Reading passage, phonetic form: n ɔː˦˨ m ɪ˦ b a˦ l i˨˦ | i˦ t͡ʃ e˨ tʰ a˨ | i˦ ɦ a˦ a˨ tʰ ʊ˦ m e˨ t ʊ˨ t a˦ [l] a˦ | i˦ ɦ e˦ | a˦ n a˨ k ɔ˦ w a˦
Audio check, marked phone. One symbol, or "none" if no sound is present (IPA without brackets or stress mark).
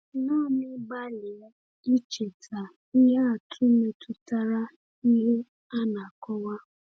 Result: ɾ